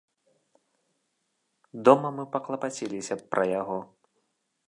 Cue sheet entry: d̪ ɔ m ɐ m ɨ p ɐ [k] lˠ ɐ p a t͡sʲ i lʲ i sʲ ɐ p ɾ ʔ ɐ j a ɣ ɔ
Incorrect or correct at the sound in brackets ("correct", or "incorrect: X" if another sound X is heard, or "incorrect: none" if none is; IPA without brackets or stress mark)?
correct